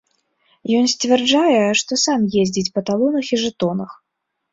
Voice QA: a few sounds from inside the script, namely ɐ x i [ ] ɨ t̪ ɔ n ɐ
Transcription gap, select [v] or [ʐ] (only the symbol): ʐ